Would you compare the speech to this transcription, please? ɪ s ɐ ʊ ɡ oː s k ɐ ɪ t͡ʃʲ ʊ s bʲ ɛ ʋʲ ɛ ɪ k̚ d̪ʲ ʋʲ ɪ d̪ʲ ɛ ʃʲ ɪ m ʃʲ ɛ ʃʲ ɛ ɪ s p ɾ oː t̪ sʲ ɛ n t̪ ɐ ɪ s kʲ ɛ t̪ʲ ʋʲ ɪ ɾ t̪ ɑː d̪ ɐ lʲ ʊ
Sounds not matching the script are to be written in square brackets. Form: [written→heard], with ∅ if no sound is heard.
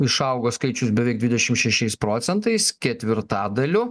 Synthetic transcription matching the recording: ɪ [s→ʃ] ɐ ʊ ɡ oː s k ɐ ɪ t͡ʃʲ ʊ s bʲ ɛ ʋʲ ɛ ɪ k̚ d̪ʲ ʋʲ ɪ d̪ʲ ɛ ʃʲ ɪ m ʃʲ ɛ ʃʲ ɛ ɪ s p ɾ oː t̪ sʲ ɛ n t̪ ɐ ɪ s kʲ ɛ t̪ʲ ʋʲ ɪ ɾ t̪ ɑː d̪ ɐ lʲ ʊ